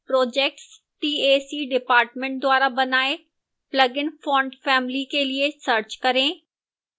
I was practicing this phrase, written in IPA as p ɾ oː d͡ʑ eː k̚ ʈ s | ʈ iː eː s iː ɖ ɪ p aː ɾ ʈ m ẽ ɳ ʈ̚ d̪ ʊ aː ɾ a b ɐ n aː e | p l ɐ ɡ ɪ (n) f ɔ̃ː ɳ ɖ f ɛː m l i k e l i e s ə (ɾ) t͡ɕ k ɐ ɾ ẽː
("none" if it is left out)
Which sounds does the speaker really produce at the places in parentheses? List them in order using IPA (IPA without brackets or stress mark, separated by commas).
n, ɾ